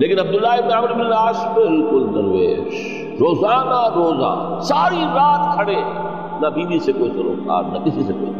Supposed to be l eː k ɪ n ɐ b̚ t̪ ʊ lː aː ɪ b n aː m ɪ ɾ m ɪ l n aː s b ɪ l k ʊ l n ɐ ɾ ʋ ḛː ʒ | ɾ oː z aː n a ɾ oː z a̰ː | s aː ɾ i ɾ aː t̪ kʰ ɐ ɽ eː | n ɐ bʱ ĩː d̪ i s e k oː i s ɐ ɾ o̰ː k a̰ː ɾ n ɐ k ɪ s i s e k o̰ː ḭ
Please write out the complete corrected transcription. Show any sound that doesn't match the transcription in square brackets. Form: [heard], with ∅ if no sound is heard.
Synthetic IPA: l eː k ɪ n ɐ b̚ [d̪] ʊ lː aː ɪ b n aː m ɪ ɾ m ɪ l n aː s b ɪ l k ʊ l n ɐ ɾ ʋ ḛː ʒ | ɾ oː z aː n a ɾ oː z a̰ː | s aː ɾ i ɾ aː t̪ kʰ ɐ ɽ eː | n ɐ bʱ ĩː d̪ i s e k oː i s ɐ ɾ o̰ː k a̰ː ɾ n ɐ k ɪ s i s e k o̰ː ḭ